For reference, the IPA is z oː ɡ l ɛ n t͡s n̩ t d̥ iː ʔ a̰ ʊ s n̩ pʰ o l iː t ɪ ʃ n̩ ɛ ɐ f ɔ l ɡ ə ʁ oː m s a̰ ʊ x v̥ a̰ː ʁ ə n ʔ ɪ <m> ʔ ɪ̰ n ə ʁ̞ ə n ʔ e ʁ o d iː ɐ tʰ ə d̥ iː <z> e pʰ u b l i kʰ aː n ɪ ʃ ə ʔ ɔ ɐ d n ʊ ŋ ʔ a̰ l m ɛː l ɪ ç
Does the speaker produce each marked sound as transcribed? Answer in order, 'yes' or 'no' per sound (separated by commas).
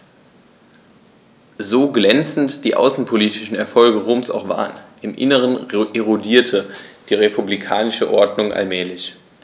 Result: yes, no